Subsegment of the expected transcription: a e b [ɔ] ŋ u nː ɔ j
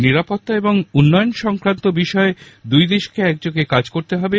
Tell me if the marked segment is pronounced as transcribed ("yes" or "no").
no